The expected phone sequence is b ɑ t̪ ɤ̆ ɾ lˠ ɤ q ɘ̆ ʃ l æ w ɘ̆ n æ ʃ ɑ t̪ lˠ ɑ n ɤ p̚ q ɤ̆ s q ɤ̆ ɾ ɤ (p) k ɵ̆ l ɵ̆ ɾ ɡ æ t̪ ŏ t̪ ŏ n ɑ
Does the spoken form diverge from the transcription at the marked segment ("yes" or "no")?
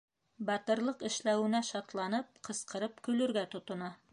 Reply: no